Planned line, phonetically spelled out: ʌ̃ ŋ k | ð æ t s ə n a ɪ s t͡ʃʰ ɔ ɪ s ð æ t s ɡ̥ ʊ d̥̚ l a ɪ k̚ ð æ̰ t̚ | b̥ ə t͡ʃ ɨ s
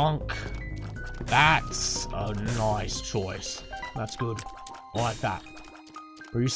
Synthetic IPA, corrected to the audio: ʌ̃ ŋ k | ð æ t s ə n a ɪ s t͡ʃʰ ɔ ɪ s ð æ t s ɡ̥ ʊ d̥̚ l a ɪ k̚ ð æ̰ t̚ | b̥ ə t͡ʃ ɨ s